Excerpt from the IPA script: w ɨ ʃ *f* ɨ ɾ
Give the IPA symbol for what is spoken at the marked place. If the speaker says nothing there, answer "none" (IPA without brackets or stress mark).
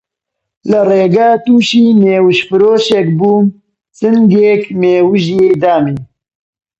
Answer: f